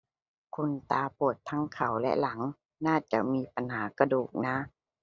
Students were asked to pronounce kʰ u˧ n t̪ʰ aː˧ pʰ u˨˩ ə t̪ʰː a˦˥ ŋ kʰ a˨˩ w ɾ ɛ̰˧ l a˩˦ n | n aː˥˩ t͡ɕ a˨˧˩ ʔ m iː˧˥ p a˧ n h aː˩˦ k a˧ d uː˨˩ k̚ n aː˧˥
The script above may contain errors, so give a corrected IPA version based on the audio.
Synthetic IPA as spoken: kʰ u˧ n t̪ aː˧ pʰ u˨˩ ə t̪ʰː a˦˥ ŋ kʰ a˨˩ w l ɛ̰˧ l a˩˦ ŋ | n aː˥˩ t͡ɕ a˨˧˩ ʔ m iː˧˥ p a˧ n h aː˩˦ k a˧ d uː˨˩ k̚ n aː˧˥